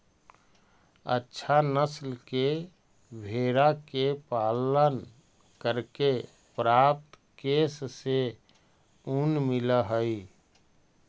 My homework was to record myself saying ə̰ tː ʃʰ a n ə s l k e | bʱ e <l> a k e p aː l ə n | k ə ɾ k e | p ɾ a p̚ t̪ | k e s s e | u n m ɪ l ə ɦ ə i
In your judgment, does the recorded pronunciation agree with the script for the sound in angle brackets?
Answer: no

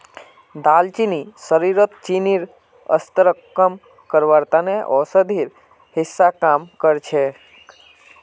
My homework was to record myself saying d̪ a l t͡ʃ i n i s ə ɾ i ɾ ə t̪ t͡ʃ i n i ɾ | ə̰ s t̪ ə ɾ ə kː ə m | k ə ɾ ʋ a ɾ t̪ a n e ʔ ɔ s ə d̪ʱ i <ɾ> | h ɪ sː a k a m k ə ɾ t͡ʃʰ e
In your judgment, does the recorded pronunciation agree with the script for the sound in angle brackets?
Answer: yes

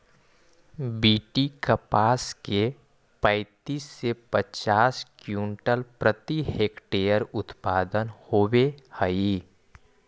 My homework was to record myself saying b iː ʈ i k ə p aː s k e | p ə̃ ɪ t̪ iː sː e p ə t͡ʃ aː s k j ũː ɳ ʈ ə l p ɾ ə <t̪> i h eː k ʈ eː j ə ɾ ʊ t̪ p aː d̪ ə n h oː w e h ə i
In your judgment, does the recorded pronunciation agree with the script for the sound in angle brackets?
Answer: yes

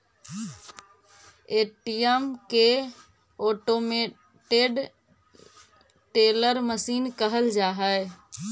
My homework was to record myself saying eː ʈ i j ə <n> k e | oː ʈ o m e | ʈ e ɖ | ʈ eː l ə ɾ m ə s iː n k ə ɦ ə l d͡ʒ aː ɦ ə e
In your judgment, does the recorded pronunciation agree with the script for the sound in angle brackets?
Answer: no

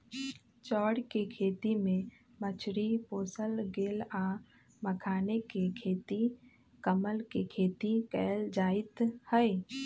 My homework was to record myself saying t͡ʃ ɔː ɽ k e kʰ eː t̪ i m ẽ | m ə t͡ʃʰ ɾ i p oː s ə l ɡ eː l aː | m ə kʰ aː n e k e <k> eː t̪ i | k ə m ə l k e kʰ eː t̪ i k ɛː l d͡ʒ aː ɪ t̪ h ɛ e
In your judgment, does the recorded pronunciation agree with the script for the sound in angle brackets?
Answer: no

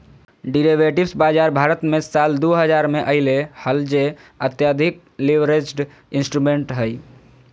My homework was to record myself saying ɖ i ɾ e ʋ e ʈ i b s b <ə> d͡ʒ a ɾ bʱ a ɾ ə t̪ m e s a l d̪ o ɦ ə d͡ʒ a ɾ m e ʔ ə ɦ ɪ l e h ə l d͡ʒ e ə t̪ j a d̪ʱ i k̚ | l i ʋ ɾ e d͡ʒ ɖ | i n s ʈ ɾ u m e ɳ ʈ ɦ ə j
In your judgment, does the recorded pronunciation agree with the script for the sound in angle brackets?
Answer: no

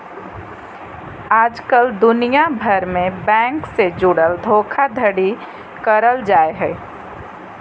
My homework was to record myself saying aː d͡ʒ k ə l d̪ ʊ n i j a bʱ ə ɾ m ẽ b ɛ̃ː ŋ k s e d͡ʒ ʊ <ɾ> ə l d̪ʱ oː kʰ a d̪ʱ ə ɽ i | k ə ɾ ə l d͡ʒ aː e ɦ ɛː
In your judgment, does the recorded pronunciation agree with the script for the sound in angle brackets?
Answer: no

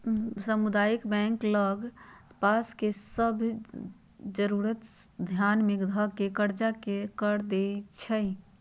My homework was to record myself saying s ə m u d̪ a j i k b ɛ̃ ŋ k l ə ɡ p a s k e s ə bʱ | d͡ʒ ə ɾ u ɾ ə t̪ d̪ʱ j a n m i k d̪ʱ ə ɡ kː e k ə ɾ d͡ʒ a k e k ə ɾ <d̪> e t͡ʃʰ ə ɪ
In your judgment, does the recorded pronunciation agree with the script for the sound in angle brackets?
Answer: yes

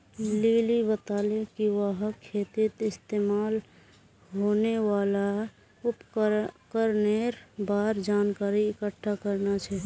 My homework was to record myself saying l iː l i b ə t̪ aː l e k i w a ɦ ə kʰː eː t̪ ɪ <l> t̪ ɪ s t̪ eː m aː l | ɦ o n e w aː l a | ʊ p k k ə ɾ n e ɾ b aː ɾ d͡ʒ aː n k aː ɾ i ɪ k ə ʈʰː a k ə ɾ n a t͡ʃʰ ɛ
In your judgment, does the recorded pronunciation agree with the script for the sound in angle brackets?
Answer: no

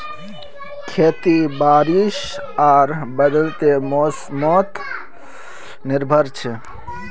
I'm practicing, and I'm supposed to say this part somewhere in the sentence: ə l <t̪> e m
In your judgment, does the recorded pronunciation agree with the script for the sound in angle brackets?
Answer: yes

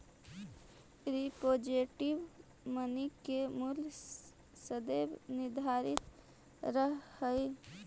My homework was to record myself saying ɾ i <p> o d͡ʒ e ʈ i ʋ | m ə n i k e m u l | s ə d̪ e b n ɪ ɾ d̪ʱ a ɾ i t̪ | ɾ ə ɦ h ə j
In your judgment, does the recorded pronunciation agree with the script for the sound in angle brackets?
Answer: yes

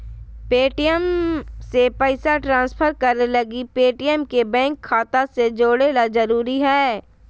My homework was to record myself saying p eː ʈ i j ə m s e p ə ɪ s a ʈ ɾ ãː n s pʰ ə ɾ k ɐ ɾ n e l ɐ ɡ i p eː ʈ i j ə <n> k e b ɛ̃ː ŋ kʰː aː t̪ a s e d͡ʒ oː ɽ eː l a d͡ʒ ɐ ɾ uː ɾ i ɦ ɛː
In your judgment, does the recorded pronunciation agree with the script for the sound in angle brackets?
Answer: no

